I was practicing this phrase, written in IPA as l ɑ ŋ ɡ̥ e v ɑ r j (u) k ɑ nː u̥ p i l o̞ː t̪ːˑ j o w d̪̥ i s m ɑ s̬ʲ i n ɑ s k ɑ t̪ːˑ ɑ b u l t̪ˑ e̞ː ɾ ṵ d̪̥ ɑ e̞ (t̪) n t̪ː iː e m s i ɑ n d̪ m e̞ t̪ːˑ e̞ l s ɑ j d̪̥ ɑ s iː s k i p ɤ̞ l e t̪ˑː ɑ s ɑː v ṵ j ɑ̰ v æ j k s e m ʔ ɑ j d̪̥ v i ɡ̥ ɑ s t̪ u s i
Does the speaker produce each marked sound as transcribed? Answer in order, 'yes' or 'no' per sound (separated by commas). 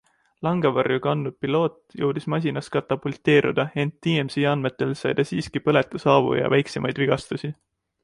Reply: yes, no